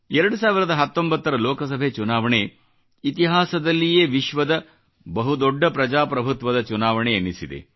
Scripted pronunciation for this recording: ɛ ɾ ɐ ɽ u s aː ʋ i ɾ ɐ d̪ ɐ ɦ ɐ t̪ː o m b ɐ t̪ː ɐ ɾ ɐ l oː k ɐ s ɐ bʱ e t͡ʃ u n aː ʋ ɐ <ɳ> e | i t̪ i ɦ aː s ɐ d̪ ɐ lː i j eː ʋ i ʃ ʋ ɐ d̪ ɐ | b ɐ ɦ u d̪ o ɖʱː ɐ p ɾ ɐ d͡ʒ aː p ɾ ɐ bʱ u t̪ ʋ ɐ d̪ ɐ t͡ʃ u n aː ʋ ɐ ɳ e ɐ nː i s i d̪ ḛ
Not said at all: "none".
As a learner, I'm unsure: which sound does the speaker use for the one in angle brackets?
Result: ɳ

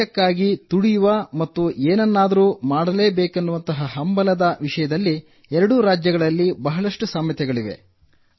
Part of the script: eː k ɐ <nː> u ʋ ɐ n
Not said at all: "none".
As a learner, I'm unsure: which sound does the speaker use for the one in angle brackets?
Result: nː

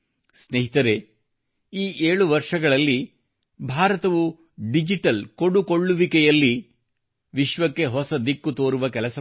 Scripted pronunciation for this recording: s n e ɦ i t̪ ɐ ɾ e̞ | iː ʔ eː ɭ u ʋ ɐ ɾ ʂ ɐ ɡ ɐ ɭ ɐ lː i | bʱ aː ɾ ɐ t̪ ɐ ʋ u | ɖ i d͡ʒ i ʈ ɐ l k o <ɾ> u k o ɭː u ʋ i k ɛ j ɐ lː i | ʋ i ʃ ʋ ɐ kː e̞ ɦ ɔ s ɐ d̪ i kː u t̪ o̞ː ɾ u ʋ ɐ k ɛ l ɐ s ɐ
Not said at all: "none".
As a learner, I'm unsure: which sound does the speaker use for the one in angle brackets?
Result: ɽ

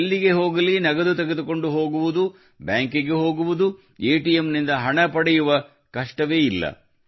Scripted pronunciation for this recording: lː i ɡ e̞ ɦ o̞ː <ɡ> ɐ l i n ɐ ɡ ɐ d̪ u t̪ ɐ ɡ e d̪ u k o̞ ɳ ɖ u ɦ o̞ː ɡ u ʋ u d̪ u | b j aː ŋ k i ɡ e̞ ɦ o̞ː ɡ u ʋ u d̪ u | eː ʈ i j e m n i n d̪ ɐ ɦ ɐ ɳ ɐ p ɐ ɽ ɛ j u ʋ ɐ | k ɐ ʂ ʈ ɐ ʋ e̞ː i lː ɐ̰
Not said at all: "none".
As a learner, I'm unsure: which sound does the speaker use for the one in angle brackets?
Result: ɡ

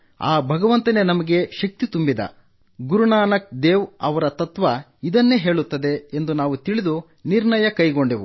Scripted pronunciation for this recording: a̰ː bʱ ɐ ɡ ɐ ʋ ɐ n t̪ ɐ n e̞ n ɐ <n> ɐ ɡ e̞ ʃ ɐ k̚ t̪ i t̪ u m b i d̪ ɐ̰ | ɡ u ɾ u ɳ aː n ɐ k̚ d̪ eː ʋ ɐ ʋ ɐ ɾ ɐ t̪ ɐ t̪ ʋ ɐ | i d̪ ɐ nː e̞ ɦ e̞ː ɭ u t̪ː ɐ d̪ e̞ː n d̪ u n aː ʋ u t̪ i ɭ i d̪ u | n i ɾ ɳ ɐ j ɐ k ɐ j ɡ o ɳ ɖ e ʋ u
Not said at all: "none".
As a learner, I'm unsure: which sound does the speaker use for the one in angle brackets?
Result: m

